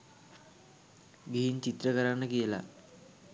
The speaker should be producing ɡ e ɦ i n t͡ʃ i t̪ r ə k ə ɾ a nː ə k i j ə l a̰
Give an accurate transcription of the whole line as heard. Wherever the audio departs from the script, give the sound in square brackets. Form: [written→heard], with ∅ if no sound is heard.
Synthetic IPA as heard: ɡ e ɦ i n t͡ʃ i t̪ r ə k ə ɾ a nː ə k i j ə l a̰